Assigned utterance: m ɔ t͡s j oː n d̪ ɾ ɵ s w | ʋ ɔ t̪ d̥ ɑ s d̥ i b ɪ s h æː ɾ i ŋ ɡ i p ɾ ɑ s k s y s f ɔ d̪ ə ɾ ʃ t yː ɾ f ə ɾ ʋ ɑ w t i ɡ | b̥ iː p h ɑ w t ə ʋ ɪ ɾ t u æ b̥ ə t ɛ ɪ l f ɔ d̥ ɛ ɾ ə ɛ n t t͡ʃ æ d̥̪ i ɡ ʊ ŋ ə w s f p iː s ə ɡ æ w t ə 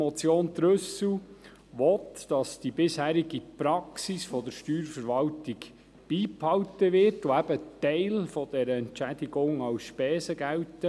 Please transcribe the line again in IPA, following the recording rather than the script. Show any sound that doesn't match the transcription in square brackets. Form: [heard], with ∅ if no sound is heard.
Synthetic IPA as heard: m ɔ t͡s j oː n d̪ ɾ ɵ s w | ʋ ɔ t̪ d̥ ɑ s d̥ i b ɪ s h æː ɾ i [∅] ɡ i p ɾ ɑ [∅] k s [i] s f ɔ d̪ ə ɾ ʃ t yː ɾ f ə ɾ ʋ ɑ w t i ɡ | b̥ iː p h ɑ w t ə ʋ ɪ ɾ t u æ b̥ ə t ɛ ɪ l f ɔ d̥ ɛ ɾ ə ɛ n t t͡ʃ æ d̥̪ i ɡ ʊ ŋ [ɑ] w s [ʃ] p [ɛː] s ə ɡ æ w t ə